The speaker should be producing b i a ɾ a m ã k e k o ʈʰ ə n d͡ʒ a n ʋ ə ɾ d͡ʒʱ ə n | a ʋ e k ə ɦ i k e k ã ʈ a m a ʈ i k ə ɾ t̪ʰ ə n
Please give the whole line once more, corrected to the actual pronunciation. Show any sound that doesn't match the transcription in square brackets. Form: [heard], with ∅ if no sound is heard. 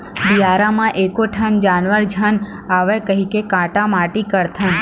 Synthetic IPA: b i a ɾ a m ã [ʔ] e k o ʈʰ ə n d͡ʒ a n ʋ ə ɾ d͡ʒʱ ə n | a ʋ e k ə ɦ i k e k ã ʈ a m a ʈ i k ə ɾ t̪ʰ ə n